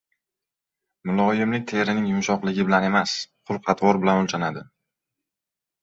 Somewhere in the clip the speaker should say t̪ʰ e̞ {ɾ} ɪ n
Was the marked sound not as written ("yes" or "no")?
no